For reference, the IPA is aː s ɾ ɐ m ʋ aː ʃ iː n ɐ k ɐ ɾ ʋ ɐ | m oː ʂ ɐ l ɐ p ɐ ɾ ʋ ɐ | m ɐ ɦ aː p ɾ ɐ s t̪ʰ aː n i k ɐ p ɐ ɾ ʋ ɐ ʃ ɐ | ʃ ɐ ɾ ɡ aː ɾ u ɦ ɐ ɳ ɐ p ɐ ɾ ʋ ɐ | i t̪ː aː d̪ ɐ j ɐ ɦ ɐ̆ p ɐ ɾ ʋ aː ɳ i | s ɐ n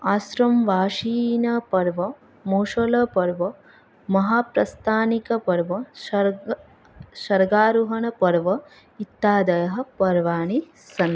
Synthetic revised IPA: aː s ɾ ɐ m ʋ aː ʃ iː n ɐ p ɐ ɾ ʋ ɐ | m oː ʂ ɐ l ɐ p ɐ ɾ ʋ ɐ | m ɐ ɦ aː p ɾ ɐ s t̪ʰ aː n i k ɐ p ɐ ɾ ʋ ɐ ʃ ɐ | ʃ ɐ ɾ ɡ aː ɾ u ɦ ɐ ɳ ɐ p ɐ ɾ ʋ ɐ | i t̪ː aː d̪ ɐ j ɐ ɦ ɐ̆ p ɐ ɾ ʋ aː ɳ i | s ɐ n